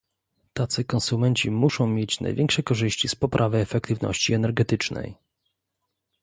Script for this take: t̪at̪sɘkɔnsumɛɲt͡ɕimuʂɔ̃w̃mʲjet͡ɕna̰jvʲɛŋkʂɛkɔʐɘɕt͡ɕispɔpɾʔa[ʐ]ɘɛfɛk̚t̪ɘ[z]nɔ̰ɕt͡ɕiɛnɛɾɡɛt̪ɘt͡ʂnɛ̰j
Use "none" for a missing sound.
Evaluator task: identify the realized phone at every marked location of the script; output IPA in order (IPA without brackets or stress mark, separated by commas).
v, v